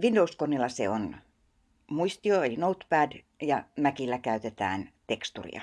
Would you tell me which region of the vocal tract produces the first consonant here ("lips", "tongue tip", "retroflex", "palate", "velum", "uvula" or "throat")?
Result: lips